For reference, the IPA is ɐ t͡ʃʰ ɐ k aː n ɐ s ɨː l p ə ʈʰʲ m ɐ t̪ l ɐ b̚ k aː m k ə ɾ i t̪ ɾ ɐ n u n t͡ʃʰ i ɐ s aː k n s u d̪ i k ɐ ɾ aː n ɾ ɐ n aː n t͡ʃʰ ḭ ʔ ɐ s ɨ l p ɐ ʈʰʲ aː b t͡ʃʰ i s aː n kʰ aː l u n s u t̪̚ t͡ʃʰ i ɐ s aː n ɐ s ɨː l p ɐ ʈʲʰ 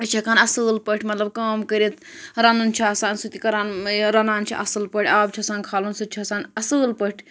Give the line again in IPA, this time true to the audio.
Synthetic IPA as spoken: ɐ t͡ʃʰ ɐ k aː n ɐ s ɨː l p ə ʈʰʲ m ɐ t̪ l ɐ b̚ k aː m k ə ɾ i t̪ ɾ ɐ n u n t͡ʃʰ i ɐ s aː n s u t̪ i k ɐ ɾ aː n ɾ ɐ n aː n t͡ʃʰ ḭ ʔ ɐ s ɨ l p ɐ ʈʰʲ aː b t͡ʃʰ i s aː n kʰ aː l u n s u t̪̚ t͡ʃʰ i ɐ s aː n ɐ s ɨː l p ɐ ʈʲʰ